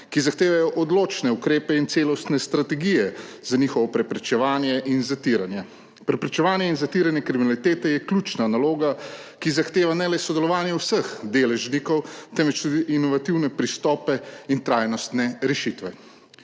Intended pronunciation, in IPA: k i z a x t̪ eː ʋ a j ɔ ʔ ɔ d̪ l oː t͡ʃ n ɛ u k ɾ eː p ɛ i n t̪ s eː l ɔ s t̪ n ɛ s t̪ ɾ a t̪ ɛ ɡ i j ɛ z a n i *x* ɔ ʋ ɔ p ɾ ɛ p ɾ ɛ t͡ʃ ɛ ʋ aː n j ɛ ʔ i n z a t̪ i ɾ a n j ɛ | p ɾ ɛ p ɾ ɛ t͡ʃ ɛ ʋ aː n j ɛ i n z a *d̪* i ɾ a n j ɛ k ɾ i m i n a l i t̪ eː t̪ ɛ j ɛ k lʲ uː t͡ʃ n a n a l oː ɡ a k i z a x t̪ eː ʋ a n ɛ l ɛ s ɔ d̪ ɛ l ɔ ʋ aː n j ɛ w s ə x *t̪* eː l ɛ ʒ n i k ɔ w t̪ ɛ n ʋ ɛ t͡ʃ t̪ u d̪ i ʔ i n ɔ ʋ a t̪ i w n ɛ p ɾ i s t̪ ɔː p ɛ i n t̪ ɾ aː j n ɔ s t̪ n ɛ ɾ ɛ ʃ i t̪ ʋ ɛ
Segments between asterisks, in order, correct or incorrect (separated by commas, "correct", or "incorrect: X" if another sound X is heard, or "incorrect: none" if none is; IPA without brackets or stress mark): correct, incorrect: t̪, incorrect: d̪